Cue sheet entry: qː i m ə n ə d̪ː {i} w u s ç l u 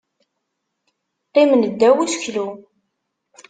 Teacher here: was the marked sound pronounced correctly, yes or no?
no